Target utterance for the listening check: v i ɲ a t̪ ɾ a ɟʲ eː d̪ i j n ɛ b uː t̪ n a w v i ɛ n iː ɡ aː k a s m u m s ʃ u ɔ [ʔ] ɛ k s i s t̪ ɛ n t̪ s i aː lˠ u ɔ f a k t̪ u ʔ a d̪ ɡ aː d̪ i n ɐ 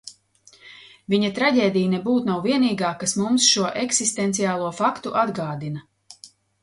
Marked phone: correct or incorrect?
correct